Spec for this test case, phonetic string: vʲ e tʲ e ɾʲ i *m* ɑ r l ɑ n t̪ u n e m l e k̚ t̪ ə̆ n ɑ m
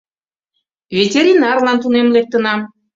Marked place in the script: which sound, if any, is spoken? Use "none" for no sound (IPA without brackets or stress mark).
n